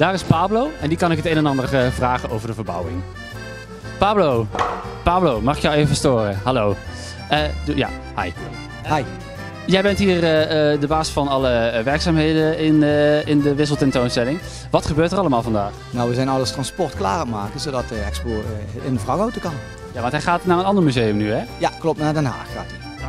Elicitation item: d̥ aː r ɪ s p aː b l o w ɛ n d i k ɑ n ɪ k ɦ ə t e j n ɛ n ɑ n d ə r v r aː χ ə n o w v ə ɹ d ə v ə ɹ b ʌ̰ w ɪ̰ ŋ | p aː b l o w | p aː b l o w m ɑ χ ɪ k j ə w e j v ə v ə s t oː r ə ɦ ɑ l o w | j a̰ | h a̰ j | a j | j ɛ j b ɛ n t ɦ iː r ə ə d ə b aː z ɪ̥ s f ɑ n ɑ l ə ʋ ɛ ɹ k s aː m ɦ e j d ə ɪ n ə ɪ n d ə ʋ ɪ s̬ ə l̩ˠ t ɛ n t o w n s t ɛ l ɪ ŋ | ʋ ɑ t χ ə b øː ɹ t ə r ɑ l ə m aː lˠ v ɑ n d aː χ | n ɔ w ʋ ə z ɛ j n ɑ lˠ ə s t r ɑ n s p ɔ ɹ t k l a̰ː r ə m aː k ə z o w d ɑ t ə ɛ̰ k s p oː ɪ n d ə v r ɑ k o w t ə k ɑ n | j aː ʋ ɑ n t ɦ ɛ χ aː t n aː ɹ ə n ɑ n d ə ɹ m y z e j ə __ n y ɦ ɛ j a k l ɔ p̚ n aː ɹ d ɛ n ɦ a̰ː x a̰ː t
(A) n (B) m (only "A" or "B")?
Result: B